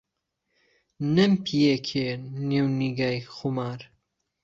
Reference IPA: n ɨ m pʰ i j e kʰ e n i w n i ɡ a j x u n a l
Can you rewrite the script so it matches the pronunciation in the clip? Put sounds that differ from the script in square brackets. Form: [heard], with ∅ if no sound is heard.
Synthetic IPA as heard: n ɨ m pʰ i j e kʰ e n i w n i ɡ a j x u [m] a [ɾ]